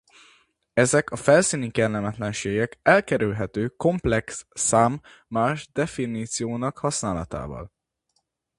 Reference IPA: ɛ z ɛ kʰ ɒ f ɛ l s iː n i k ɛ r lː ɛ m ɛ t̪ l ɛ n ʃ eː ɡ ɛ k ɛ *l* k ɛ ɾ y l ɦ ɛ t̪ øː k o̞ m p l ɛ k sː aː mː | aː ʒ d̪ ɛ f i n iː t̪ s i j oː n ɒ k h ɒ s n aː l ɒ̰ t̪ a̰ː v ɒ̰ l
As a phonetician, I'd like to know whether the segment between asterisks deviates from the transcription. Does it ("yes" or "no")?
no